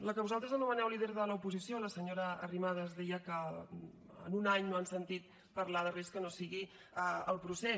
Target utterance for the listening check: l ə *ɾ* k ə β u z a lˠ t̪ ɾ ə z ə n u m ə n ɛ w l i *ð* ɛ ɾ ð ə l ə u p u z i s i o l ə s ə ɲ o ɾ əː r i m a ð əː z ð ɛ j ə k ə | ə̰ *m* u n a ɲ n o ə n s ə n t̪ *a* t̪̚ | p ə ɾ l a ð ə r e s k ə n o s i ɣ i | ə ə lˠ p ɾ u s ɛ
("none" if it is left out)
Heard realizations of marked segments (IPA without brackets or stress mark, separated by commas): none, ð, n, i